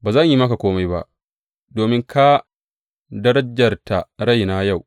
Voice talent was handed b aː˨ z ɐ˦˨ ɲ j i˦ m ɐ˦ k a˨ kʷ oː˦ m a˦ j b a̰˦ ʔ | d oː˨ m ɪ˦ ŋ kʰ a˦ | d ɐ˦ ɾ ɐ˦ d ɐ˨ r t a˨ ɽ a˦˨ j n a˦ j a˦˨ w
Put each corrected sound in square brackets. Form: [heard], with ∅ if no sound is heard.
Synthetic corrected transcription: b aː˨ z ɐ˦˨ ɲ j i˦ m ɐ˦ k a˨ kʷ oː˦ m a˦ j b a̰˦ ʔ | d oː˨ m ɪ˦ ŋ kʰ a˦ | d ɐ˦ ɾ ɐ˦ [d͡ʒ] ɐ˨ r t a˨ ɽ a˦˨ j n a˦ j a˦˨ w